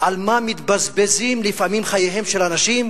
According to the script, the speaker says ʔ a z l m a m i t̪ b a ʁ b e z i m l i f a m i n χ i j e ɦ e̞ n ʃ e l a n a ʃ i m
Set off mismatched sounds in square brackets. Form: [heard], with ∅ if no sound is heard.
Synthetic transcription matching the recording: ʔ a [∅] l m a m i t̪ b a [z] b e z i m l i f a m i [m] χ [a] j e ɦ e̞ [m] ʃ e l a n a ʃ i m